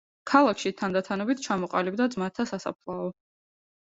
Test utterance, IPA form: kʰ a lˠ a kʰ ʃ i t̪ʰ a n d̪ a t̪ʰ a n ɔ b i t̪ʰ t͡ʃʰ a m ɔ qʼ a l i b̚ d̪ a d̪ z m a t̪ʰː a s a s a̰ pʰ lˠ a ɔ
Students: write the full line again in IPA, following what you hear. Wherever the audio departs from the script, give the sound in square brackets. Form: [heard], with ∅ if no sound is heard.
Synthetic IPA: kʰ a lˠ a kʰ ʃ i t̪ʰ a n d̪ a t̪ʰ a n ɔ b i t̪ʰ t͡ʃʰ a m ɔ qʼ a l i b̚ d̪ a d̪ z m a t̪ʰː a s a s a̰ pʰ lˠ a ɔ